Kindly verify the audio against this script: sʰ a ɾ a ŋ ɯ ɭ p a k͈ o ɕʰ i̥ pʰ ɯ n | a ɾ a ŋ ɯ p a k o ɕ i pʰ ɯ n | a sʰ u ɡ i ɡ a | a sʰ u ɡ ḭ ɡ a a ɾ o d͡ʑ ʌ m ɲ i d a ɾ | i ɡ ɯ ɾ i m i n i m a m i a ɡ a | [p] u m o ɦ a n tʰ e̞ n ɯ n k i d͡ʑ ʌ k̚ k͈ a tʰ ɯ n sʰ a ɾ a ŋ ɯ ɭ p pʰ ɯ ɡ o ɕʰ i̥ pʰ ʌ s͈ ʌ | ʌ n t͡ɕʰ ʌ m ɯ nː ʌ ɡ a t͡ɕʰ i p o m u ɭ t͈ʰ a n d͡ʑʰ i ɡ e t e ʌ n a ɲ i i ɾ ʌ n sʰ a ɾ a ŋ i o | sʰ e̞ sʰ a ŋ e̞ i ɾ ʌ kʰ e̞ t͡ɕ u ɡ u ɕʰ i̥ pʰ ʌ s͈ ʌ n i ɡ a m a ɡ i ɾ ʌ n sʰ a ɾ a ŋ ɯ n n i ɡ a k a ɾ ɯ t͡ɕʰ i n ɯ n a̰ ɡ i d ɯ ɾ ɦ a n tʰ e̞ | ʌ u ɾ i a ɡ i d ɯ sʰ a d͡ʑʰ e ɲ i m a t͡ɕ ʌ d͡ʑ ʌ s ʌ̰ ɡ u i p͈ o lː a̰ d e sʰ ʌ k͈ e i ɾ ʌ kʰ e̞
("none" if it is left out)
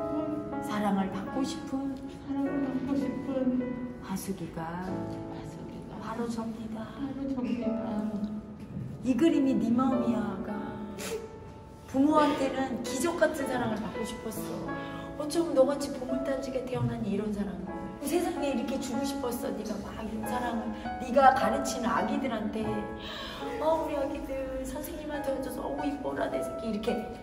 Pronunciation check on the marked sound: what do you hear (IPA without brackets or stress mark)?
p